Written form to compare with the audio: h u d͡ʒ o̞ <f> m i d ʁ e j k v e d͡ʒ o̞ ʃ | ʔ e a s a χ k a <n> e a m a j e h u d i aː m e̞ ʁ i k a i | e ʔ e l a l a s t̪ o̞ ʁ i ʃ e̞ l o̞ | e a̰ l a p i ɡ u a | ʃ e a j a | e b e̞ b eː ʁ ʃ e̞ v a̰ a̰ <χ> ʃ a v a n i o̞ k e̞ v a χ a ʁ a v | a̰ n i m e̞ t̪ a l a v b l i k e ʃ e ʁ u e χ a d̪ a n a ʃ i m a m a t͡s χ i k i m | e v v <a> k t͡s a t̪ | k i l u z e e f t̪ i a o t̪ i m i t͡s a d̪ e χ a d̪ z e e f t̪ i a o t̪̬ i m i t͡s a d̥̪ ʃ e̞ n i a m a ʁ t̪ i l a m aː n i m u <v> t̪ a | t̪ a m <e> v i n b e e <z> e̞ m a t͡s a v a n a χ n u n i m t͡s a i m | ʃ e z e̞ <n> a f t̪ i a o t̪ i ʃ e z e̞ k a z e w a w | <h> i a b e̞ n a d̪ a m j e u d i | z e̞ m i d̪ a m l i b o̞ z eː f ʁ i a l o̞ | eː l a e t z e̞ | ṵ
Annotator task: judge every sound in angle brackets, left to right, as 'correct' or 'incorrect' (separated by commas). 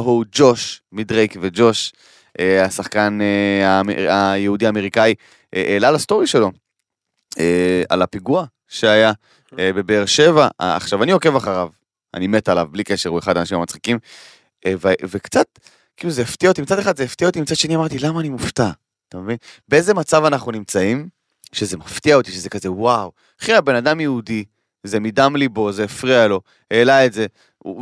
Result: incorrect, correct, correct, incorrect, incorrect, correct, correct, incorrect, incorrect